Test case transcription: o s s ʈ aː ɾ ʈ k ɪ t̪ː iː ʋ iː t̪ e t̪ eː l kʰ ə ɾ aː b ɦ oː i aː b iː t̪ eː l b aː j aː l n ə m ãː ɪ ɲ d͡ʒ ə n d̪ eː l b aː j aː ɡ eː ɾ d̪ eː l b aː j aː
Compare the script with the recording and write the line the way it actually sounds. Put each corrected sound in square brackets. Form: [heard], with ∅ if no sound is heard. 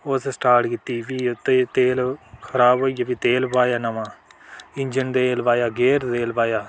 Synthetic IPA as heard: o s s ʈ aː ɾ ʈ k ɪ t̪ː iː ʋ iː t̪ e t̪ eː l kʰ ə ɾ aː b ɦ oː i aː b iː t̪ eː l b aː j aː [∅] n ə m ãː ɪ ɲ d͡ʒ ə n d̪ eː l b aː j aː ɡ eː ɾ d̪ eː l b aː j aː